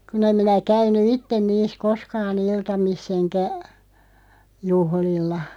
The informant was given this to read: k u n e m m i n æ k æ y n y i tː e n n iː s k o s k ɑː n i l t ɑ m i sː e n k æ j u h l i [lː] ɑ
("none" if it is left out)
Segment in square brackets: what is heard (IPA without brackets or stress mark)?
lː